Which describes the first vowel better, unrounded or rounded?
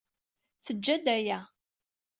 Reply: unrounded